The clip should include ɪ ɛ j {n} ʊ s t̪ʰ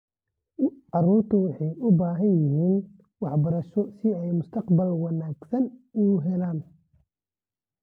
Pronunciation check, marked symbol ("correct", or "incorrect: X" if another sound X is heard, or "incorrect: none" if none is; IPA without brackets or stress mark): incorrect: m